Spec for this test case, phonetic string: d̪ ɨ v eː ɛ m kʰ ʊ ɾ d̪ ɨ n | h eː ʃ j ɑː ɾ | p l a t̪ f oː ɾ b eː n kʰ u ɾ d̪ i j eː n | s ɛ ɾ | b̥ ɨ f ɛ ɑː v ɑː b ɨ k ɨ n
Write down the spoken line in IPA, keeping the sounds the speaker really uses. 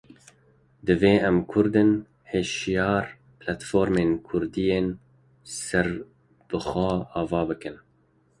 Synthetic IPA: d̪ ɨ v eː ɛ m kʰ ʊ ɾ d̪ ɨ n | h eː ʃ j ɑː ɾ | p l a t̪ f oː ɾ m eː n kʰ ʊ ɾ d̪ i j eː n | s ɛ ɾ | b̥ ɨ x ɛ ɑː v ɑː b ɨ k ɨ n